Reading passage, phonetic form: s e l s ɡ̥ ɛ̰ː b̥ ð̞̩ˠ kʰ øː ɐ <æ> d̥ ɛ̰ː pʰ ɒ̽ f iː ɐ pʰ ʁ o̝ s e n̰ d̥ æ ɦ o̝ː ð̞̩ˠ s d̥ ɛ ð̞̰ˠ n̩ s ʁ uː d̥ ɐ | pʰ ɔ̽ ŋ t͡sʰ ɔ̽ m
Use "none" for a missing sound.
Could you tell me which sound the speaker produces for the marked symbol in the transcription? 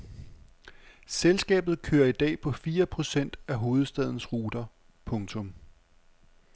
i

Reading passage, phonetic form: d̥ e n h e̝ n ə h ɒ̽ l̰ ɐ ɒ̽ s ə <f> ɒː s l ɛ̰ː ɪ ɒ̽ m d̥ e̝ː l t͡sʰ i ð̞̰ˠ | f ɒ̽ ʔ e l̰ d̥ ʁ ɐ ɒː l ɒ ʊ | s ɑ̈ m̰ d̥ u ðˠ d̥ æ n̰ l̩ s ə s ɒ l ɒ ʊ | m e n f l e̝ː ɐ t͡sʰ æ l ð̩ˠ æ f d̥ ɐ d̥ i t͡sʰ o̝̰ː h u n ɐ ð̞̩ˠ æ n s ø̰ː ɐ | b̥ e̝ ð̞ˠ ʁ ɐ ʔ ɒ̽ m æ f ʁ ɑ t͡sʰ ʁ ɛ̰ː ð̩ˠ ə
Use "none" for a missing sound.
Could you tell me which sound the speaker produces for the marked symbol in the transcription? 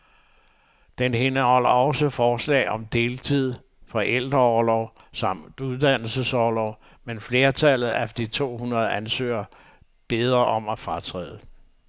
f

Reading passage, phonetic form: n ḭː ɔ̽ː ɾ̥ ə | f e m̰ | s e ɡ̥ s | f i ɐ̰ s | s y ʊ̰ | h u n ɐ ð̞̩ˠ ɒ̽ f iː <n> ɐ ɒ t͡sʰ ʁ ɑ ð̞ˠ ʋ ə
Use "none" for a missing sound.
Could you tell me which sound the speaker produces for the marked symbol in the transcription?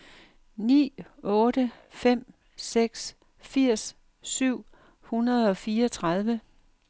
none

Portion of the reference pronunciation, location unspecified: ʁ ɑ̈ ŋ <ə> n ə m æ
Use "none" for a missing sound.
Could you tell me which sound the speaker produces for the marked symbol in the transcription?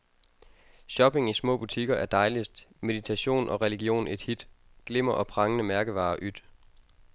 ə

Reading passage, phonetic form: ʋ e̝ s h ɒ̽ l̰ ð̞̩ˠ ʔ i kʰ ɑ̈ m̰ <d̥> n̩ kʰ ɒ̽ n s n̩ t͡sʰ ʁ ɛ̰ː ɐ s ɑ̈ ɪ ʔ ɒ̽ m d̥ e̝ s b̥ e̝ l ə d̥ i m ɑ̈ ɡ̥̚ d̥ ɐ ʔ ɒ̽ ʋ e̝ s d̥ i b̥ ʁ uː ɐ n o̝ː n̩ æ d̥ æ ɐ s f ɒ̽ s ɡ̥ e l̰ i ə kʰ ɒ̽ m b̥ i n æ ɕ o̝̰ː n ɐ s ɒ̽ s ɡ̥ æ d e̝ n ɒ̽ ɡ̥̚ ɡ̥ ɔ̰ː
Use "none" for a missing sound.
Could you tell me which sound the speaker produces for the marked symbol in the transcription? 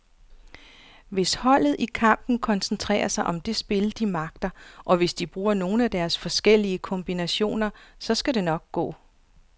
b̥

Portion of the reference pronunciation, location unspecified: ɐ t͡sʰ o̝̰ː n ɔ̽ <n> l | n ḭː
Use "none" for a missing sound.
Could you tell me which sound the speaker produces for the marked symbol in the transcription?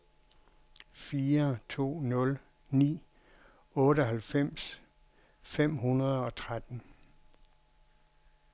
none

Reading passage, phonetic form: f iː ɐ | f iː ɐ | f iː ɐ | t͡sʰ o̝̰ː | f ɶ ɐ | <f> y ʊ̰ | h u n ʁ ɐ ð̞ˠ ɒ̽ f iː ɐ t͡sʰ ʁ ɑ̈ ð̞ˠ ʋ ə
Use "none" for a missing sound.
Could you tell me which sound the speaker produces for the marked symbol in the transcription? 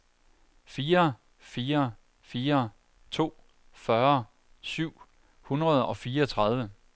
s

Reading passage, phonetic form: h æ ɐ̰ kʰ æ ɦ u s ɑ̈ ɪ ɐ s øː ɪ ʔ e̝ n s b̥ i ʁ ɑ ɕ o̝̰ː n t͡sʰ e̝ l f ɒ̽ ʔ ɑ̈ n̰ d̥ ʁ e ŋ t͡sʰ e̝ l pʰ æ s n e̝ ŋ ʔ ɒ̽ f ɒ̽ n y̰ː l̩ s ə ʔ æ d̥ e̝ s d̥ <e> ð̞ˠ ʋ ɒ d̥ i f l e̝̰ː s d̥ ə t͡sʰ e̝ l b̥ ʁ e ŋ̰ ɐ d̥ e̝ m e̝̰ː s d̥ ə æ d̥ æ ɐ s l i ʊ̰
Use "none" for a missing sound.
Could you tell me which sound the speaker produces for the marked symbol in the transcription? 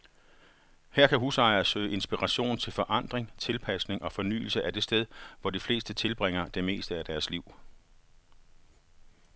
e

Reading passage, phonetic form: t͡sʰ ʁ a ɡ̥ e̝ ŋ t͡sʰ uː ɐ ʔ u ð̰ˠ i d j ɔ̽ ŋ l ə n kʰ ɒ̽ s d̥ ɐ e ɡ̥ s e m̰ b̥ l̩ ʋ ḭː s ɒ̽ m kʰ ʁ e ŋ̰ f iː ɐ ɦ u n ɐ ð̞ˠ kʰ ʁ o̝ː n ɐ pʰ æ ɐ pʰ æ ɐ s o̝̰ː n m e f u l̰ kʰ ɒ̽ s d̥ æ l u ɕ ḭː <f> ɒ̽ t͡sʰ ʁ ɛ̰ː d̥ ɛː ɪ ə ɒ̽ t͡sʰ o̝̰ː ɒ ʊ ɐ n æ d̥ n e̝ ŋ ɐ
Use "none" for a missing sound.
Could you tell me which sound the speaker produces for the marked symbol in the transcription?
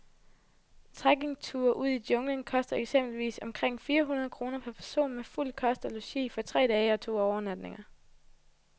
f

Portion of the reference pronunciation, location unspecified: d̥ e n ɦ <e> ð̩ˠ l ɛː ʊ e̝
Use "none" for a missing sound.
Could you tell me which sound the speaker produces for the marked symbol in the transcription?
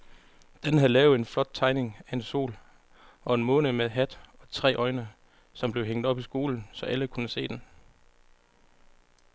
æ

